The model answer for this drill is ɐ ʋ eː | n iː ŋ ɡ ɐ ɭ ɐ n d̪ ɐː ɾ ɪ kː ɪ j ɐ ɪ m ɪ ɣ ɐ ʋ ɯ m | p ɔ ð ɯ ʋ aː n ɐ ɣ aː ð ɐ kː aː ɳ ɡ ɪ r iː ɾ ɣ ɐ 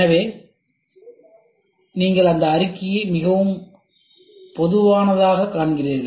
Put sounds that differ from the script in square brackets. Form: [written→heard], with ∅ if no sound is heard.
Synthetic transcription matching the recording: ɐ ʋ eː | n iː ŋ ɡ ɐ ɭ ɐ n d̪ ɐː ɾ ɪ kː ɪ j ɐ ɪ m ɪ ɣ ɐ ʋ ɯ m | p ɔ ð ɯ ʋ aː n ɐ [ɣ→ð] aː [ð→ɣ] ɐ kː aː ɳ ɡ ɪ r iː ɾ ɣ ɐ